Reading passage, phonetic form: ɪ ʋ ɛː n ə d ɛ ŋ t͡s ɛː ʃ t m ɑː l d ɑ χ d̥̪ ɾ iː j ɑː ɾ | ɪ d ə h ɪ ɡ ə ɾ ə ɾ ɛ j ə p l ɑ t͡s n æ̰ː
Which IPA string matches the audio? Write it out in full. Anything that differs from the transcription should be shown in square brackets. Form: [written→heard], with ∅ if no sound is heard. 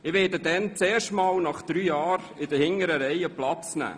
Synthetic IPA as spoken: ɪ ʋ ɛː [n→d] ə d ɛ [ŋ→n] t͡s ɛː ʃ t m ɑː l [d→n] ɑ χ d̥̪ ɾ [iː→yː] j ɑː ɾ | ɪ d ə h ɪ [ɡ→ŋ] ə ɾ ə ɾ ɛ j ə p l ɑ t͡s n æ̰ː